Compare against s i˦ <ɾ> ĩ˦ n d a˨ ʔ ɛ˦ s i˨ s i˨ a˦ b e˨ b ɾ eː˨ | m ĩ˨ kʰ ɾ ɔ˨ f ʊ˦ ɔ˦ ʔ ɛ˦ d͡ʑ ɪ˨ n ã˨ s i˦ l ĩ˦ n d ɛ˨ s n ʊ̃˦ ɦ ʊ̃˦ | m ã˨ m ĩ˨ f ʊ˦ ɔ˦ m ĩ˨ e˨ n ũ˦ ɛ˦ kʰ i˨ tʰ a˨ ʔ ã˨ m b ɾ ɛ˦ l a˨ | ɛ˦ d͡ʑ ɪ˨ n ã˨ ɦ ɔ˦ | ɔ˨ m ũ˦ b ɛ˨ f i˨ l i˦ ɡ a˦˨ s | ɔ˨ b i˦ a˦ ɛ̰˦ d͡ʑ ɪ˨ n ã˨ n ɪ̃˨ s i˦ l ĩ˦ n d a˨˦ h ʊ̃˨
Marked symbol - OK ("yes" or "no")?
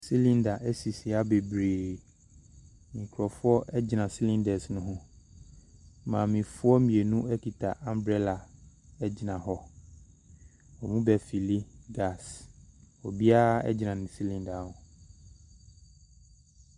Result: no